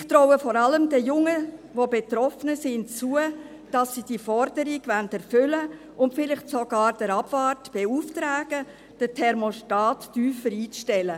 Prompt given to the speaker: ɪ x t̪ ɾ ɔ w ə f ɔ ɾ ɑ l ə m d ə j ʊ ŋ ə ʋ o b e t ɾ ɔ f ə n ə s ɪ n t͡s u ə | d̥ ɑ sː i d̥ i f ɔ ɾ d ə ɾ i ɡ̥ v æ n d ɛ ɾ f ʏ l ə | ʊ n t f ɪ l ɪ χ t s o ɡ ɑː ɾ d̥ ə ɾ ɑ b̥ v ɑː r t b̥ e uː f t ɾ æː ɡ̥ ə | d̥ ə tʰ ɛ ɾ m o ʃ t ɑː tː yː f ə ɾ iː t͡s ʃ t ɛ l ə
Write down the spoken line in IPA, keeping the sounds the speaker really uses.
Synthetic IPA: ɪ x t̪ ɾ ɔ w ə f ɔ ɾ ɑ l ə m d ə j ʊ ŋ ə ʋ o b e t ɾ ɔ f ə n ə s ɪ n t͡s u ə | d̥ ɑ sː i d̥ i f ɔ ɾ d ə ɾ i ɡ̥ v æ n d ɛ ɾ f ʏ l ə | ʊ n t f ɪ l ɪ χ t s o ɡ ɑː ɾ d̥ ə ɾ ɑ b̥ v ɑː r t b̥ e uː f t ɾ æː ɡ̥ ə | d̥ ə tʰ ɛ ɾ m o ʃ t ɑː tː yː f ə ɾ iː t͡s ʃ t ɛ l ə